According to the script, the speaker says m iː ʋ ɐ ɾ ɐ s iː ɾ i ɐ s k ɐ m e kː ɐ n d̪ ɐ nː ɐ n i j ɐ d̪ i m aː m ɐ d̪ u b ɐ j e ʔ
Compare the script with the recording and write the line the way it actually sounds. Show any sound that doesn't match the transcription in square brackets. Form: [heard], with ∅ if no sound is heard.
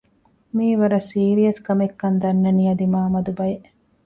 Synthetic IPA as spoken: m iː ʋ ɐ ɾ ɐ s iː ɾ i ɐ s k ɐ m e kː ɐ n d̪ ɐ nː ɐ n i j ɐ d̪ i m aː m ɐ d̪ u b ɐ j e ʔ